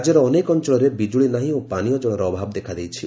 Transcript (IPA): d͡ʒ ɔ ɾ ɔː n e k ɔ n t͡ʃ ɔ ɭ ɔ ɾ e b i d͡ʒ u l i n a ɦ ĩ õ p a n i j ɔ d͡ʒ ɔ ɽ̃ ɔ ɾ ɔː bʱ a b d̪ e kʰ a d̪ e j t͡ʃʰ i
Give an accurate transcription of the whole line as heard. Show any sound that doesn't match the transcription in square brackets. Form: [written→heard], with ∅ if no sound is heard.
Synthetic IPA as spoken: d͡ʒ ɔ ɾ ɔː n e k ɔ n t͡ʃ ɔ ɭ ɔ ɾ e b i d͡ʒ u [l→ɭ] i n a ɦ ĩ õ p a n i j ɔ d͡ʒ ɔ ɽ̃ ɔ ɾ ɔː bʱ a b d̪ e kʰ a d̪ e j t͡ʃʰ i